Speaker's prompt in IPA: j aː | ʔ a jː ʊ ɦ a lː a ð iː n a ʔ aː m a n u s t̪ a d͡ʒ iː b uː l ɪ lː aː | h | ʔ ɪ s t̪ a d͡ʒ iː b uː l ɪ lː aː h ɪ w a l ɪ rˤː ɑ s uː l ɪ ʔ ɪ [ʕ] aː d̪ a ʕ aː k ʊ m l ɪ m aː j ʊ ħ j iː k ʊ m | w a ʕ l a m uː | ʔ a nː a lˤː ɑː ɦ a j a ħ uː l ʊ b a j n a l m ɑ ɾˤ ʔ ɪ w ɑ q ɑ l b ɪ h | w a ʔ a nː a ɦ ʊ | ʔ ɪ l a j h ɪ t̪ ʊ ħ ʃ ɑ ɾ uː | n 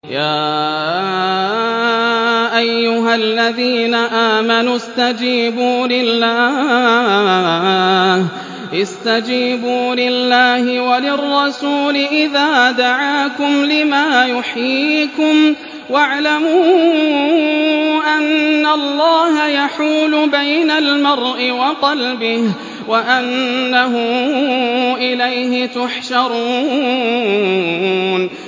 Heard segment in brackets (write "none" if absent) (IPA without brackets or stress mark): ð